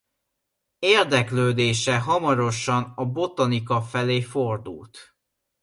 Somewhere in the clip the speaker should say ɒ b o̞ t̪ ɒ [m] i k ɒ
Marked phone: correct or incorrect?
incorrect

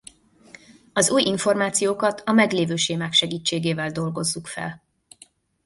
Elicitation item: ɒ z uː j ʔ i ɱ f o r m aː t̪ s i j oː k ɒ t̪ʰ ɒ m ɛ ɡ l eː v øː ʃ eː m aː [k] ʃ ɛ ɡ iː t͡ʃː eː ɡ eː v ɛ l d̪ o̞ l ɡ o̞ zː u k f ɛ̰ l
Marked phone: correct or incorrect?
correct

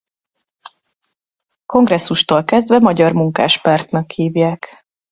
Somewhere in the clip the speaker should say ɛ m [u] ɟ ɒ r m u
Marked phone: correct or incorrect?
incorrect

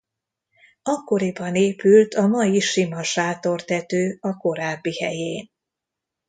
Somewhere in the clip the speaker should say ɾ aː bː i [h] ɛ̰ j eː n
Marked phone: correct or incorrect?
correct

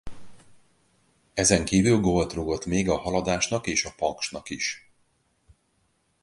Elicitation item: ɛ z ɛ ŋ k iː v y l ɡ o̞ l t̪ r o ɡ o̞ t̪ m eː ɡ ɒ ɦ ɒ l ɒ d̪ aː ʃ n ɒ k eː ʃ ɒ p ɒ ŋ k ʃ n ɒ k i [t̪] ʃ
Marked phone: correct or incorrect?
incorrect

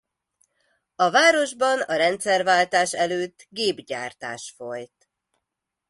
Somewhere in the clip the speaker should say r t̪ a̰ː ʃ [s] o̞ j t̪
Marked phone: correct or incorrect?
incorrect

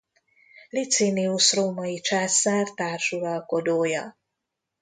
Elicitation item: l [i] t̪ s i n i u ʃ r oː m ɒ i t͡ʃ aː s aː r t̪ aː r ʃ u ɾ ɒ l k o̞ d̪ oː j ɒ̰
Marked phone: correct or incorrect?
correct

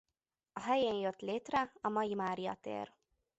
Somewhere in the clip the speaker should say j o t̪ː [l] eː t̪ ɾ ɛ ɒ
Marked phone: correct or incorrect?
correct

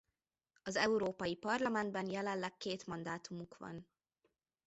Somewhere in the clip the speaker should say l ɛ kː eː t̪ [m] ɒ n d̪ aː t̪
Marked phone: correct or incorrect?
correct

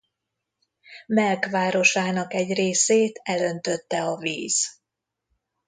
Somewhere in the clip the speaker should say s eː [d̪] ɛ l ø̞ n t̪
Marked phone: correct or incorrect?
incorrect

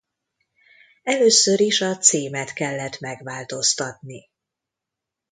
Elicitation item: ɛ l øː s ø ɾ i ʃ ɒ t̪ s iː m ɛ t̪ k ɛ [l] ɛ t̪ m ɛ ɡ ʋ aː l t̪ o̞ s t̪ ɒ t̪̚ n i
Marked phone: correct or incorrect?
incorrect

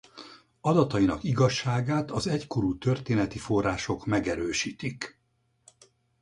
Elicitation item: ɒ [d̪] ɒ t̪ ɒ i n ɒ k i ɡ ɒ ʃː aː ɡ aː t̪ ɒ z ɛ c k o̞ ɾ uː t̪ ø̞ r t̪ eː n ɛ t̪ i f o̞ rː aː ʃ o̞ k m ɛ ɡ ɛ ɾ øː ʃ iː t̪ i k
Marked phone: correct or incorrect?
correct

